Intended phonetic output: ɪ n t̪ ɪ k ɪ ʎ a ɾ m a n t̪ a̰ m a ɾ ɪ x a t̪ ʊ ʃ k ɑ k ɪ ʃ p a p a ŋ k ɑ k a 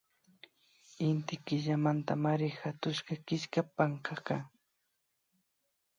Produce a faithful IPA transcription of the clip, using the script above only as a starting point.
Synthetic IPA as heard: ɪ n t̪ ɪ k ɪ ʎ a m a n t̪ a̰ m a ɾ ɪ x a t̪ ʊ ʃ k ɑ k ɪ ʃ k a p a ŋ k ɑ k a